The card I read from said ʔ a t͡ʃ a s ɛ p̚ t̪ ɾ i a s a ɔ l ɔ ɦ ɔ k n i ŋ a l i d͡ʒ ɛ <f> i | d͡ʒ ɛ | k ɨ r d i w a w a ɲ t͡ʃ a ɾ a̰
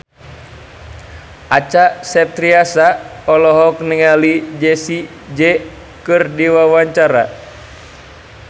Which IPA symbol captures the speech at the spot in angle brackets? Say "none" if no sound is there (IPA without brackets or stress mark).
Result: s